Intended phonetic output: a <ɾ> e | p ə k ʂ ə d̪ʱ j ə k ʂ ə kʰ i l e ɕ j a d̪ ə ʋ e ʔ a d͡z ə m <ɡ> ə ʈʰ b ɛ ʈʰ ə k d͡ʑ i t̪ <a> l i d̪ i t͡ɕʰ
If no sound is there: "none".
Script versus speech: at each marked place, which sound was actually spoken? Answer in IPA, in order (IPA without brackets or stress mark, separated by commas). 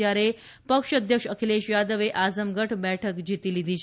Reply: ɾ, ɡ, i